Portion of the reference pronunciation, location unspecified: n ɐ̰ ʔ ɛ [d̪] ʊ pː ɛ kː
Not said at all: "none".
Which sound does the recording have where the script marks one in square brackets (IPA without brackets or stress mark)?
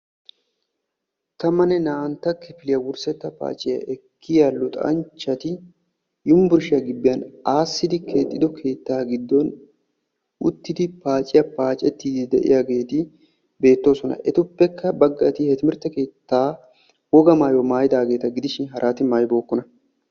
t̪